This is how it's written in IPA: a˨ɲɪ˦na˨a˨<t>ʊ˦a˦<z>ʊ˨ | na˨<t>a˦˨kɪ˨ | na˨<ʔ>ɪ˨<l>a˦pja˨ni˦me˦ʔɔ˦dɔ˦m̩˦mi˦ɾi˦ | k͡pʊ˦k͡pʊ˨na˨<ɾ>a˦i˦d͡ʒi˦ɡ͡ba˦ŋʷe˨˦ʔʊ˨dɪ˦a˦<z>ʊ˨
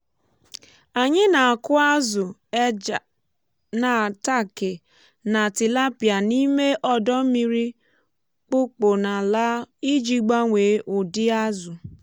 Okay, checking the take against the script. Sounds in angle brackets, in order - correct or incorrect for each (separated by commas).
incorrect, correct, correct, incorrect, correct, incorrect, correct